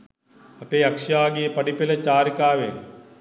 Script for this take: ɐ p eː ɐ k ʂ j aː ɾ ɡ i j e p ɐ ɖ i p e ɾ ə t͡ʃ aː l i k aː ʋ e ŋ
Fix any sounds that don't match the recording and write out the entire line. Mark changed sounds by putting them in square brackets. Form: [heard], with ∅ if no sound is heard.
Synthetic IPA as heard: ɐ p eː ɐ k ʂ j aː [∅] ɡ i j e p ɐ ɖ i p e [l] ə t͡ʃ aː [ɾ] i k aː ʋ e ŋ